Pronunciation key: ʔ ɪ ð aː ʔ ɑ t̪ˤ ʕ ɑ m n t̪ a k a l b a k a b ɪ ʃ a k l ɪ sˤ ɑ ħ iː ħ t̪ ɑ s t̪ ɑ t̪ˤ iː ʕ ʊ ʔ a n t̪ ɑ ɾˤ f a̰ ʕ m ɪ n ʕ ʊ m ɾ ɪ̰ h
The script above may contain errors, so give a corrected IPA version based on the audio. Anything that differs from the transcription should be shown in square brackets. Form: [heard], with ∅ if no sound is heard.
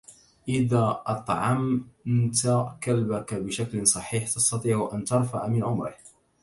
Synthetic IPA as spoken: ʔ ɪ ð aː ʔ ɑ t̪ˤ ʕ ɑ m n t̪ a k a l b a k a b ɪ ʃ a k l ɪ sˤ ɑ ħ iː ħ t̪ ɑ s t̪ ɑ t̪ˤ iː ʕ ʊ ʔ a n t̪ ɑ ɾˤ f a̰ ʕ m ɪ n ʕ ʊ m ɾ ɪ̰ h